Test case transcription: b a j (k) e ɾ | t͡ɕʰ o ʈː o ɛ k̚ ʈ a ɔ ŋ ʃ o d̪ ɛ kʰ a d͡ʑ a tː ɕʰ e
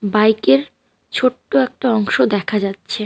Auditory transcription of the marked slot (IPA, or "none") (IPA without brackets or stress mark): k